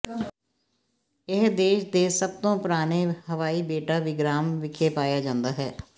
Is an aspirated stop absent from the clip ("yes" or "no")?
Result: no